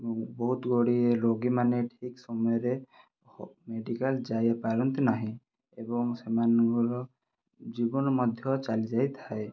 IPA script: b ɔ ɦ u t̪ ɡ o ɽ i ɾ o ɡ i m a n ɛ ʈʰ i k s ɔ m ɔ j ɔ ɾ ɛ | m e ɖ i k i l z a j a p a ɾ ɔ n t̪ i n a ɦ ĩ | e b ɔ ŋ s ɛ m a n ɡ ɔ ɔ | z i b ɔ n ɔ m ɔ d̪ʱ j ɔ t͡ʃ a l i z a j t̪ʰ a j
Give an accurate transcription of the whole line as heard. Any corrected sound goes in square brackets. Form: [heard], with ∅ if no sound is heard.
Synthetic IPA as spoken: b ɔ ɦ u t̪ ɡ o ɽ i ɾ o ɡ i m a n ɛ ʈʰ i k s ɔ m ɔ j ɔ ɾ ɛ | m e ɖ i k [a] l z a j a p a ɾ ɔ n t̪ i n a ɦ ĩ | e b ɔ ŋ s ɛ m a n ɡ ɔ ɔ | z i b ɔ n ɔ m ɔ d̪ʱ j ɔ t͡ʃ a l i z a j t̪ʰ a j